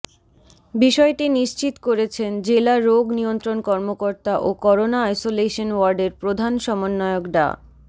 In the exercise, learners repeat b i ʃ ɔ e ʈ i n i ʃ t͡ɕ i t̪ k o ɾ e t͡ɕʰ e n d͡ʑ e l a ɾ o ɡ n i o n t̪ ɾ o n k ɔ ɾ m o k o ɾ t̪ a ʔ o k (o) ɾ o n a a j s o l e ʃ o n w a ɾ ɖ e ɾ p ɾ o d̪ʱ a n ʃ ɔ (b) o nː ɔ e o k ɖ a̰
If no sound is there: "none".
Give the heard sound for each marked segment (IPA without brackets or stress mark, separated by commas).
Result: ɔ, m